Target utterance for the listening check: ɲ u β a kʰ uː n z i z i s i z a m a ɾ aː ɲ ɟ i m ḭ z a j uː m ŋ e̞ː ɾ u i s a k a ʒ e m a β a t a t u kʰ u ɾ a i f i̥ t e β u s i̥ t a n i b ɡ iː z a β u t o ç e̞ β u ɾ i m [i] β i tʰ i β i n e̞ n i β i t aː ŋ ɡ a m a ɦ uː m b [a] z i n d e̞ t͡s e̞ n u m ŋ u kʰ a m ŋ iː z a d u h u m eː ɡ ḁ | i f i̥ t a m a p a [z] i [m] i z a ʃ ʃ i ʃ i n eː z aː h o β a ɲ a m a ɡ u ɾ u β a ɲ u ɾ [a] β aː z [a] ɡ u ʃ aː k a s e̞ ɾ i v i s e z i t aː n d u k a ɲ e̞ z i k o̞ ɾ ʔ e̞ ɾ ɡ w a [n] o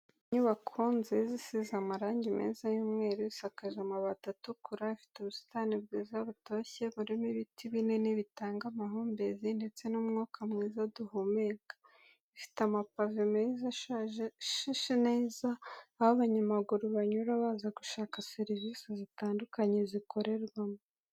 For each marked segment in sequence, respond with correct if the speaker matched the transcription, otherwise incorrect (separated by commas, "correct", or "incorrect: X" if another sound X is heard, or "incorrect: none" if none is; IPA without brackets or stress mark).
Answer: correct, incorrect: e, incorrect: v, correct, correct, correct, incorrect: m